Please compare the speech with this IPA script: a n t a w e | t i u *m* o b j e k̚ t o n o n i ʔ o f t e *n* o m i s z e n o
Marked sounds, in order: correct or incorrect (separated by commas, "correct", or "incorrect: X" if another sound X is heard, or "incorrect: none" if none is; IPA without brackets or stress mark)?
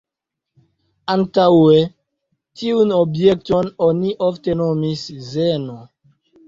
incorrect: n, correct